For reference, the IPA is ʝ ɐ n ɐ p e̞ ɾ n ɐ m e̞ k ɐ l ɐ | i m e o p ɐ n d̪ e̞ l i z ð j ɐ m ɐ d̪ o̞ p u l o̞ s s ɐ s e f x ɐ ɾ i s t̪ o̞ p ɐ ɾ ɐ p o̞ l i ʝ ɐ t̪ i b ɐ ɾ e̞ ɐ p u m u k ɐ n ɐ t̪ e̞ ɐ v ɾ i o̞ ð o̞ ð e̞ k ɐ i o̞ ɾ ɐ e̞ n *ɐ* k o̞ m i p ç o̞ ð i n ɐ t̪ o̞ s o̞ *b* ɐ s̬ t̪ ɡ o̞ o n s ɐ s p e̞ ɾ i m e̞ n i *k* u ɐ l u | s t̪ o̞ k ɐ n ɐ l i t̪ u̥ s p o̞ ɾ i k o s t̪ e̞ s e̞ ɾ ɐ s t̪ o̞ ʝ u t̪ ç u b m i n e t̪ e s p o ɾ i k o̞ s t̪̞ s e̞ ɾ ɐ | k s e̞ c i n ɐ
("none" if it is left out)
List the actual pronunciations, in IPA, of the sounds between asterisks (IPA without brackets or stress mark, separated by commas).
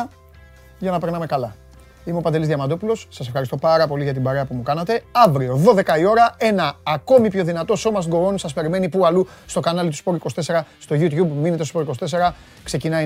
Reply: ɐː, m, p